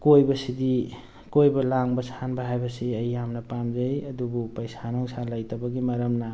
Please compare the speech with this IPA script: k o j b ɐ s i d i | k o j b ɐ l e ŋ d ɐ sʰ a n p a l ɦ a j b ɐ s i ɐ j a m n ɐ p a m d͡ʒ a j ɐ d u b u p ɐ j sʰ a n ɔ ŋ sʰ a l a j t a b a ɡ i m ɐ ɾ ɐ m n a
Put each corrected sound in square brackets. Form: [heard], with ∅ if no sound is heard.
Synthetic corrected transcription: k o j b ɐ s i d i | k o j b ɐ l [a] ŋ [b] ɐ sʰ a n [b] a [∅] ɦ a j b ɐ s i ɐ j a m n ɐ p a m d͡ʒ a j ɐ d u b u p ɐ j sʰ a n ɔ ŋ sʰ a l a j t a b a ɡ i m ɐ ɾ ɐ m n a